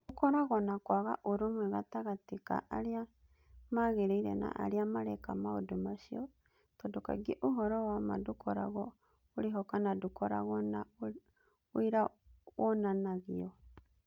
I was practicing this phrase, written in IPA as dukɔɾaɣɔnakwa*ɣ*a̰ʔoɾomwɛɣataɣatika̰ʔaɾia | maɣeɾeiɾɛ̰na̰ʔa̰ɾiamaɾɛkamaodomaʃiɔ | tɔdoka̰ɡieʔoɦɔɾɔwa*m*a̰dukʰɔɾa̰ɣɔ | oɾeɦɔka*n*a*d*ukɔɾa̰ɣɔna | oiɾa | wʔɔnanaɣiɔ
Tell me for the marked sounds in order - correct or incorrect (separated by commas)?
correct, correct, correct, correct